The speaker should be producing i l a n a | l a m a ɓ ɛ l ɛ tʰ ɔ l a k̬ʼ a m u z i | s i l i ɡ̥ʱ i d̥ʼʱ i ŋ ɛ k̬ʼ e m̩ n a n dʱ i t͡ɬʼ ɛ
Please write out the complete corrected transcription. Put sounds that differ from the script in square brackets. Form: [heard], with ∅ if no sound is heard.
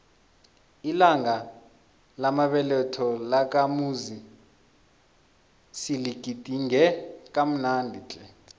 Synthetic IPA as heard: i l a [ŋ] a | l a m a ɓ ɛ l ɛ tʰ ɔ l a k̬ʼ a m u z i | s i l i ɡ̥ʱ i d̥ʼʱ i ŋ ɛ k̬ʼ [a] m̩ n a n dʱ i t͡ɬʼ ɛ